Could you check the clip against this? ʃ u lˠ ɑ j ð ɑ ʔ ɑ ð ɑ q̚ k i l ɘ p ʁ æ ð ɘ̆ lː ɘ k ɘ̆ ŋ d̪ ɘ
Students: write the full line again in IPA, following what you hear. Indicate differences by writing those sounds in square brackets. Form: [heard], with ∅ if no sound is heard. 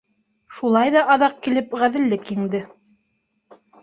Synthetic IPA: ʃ u lˠ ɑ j ð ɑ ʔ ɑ ð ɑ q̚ k i l ɘ p ʁ æ ð ɘ̆ lː ɘ k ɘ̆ ŋ d̪ ɘ